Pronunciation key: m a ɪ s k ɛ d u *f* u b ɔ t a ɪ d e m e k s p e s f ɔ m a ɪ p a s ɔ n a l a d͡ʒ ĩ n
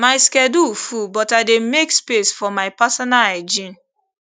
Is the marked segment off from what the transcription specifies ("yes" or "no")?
no